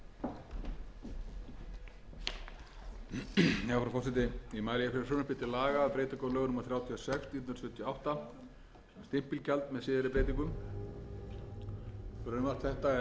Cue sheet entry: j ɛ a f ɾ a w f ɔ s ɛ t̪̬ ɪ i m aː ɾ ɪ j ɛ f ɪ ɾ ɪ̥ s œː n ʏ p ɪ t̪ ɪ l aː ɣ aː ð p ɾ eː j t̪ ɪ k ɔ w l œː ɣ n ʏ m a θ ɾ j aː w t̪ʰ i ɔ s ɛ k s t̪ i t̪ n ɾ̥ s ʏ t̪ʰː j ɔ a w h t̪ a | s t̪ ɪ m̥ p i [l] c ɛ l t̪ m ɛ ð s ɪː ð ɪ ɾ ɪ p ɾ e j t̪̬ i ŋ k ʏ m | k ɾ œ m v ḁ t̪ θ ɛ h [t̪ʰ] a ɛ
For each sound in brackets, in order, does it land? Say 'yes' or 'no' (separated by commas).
yes, no